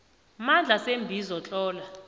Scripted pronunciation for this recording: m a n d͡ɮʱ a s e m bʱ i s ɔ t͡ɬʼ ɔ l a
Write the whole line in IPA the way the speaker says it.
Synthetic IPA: m a n d͡ɮʱ a s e m bʱ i z ɔ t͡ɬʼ ɔː l a